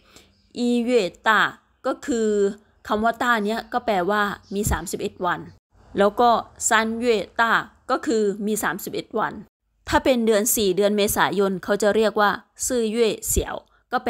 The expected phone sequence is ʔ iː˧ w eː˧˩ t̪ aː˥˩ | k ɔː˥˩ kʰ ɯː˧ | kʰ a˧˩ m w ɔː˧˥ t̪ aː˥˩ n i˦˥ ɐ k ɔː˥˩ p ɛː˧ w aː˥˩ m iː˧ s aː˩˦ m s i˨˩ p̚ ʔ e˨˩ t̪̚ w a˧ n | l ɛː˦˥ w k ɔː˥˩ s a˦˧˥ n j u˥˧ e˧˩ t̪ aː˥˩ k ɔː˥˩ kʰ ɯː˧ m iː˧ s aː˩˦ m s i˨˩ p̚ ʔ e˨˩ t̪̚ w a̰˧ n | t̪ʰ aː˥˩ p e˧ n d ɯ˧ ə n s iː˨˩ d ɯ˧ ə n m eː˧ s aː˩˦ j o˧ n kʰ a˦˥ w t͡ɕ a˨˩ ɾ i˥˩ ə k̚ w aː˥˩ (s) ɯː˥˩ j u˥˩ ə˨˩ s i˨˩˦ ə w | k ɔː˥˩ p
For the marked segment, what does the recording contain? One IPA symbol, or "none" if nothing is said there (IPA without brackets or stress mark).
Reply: s